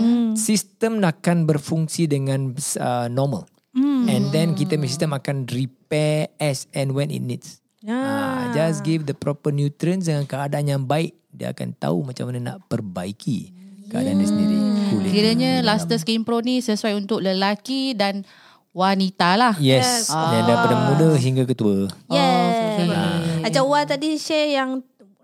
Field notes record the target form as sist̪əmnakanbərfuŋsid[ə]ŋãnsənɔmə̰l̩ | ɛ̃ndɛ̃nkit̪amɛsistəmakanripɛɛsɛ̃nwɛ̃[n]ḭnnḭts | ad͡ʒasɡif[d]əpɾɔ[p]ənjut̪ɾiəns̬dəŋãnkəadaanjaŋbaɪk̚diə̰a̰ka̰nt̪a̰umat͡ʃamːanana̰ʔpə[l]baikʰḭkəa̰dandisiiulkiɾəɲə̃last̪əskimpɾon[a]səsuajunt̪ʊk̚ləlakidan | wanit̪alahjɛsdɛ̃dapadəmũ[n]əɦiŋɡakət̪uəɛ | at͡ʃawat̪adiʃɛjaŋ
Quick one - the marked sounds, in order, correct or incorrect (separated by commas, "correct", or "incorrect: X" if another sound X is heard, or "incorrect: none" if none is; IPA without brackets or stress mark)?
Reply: correct, correct, correct, correct, incorrect: r, incorrect: i, incorrect: d